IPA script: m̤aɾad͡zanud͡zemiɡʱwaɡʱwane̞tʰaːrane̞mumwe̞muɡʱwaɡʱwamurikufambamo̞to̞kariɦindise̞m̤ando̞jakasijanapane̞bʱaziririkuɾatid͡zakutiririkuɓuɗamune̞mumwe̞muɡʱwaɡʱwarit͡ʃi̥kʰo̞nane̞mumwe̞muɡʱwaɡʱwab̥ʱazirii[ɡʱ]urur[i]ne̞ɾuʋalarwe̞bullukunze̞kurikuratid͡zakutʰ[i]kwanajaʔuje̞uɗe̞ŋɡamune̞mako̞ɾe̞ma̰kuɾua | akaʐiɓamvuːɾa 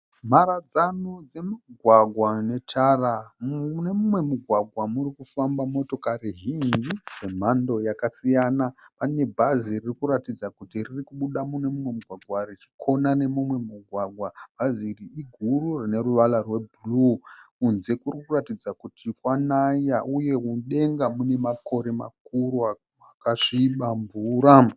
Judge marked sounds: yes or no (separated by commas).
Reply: yes, yes, yes